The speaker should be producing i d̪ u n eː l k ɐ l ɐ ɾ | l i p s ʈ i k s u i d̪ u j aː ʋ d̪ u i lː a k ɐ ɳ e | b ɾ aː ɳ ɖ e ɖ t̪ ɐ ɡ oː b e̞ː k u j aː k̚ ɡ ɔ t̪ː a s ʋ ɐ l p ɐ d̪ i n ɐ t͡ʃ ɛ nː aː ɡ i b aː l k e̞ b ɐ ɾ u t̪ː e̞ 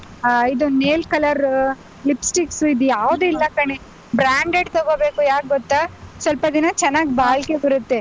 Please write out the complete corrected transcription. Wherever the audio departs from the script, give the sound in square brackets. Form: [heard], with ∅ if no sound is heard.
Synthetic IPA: i d̪ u n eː l k ɐ l ɐ ɾ | l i p s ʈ i k s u i d̪ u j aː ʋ d̪ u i lː [ɐ] k ɐ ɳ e | b ɾ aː ɳ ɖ e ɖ t̪ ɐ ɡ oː b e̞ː k u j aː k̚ ɡ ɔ t̪ː a s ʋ ɐ l p ɐ d̪ i n ɐ t͡ʃ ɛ nː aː ɡ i b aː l k e̞ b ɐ ɾ u t̪ː e̞